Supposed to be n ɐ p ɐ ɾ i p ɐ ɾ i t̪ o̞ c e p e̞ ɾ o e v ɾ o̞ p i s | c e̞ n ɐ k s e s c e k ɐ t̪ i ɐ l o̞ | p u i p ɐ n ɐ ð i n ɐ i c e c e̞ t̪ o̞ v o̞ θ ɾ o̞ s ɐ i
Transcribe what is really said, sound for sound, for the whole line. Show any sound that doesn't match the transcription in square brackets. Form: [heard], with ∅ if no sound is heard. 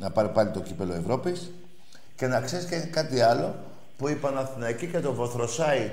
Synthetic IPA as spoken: n ɐ p ɐ ɾ i p ɐ [l] i t̪ o̞ c [i] p e̞ [l] o e v ɾ o̞ p i s | c e̞ n ɐ k s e s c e k ɐ t̪ i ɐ l o̞ | p u i p ɐ n ɐ [θ] i n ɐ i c [i] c e̞ t̪ o̞ v o̞ θ ɾ o̞ s ɐ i